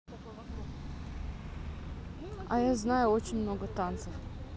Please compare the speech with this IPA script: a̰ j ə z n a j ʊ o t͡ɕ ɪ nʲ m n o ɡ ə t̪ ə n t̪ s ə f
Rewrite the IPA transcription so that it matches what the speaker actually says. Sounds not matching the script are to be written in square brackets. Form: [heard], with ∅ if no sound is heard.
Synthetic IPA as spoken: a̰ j [a] z n a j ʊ o t͡ɕ ɪ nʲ m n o ɡ ə t̪ [a] n t̪ s ə f